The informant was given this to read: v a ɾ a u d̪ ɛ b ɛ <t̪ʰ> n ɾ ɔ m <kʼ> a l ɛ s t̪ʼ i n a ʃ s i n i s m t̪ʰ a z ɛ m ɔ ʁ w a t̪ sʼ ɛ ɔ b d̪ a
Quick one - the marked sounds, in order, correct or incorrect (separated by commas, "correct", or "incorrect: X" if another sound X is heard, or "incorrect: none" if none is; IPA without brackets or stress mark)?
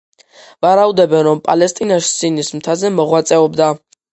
incorrect: none, incorrect: pʼ